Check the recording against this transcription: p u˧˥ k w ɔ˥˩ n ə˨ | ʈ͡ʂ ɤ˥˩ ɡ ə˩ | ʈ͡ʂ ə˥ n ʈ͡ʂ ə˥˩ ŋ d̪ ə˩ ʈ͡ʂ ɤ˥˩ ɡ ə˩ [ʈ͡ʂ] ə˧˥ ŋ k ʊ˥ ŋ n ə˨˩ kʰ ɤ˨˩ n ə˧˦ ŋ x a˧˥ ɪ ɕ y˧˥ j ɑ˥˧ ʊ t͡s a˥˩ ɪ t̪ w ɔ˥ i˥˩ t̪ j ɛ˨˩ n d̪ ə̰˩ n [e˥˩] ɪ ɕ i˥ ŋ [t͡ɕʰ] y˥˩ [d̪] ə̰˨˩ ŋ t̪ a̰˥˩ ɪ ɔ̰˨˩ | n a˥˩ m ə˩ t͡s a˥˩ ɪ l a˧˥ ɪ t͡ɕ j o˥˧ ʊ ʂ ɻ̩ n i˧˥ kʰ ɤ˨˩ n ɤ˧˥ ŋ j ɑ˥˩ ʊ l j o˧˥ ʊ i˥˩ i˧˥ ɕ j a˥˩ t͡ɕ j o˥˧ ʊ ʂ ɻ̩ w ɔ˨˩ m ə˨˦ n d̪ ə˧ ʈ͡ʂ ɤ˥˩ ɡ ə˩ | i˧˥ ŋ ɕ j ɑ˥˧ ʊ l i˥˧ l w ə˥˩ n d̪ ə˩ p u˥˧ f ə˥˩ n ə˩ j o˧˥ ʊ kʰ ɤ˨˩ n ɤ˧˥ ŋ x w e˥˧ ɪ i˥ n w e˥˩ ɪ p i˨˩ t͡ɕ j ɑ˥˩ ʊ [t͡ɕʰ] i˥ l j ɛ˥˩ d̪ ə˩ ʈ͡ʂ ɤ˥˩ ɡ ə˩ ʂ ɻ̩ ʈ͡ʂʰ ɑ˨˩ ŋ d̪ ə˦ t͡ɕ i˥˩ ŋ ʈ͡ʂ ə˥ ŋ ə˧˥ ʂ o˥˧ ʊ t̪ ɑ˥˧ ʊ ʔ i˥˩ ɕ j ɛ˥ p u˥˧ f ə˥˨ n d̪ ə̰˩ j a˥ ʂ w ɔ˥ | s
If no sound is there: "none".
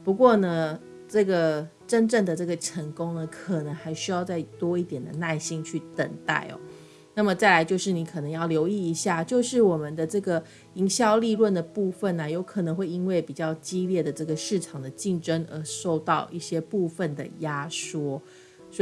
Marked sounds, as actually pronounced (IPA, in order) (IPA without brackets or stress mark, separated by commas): ʈ͡ʂʰ, a˥˩, t͡ɕʰ, t̪, t͡ɕ